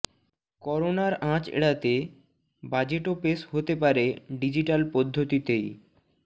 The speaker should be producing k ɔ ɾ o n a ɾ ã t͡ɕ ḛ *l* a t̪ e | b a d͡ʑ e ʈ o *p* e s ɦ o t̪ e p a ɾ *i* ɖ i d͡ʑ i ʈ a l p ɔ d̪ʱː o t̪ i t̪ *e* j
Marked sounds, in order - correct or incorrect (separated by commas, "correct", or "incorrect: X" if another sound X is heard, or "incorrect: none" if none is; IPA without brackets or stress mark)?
incorrect: ɽ, correct, incorrect: e, correct